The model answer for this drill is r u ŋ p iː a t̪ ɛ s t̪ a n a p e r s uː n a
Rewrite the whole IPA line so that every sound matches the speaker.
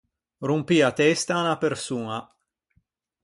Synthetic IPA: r u m p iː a t̪ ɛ s t̪ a n a p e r s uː n a